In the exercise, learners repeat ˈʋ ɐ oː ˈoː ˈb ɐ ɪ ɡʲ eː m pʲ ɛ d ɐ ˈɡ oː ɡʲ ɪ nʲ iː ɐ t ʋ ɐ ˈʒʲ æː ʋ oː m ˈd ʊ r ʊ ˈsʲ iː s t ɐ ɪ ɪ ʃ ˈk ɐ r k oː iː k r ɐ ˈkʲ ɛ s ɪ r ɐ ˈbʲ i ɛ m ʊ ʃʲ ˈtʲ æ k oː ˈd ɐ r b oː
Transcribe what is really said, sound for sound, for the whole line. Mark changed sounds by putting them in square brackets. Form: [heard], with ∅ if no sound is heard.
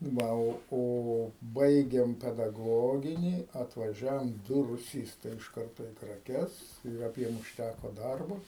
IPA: ˈʋ ɐ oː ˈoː ˈb ɐ ɪ ɡʲ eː m pʲ ɛ d ɐ ˈɡ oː ɡʲ ɪ nʲ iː ɐ t ʋ ɐ ˈʒʲ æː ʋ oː m ˈd ʊ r ʊ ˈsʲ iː s t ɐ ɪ ɪ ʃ ˈk ɐ r [t] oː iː k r ɐ ˈkʲ ɛ s ɪ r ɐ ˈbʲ i ɛ m ʊ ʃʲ ˈtʲ æ k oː ˈd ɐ r b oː